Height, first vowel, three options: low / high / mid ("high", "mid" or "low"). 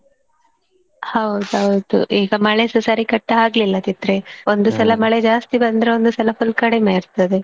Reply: low